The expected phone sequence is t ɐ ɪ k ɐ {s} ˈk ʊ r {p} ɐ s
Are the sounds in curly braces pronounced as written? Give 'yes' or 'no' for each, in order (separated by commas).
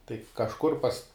no, yes